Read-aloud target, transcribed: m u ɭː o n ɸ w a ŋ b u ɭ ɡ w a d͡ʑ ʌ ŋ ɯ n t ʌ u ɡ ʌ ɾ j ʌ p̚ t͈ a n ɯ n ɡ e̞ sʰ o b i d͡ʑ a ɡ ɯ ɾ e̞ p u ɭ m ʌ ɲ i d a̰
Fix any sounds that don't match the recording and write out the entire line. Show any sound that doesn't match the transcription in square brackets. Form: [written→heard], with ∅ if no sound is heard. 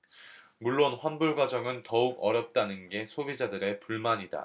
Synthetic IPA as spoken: m u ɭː o n ɸ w a [ŋ→n] b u ɭ ɡ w a d͡ʑ ʌ ŋ ɯ n t ʌ u ɡ ʌ ɾ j ʌ p̚ t͈ a n ɯ n ɡ e̞ sʰ o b i d͡ʑ a [ɡ→d] ɯ ɾ e̞ p u ɭ m [ʌ→a] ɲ i d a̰